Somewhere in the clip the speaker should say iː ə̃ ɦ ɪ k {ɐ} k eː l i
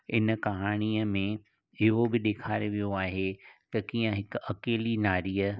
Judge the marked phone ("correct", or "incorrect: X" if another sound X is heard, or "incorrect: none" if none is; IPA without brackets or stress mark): correct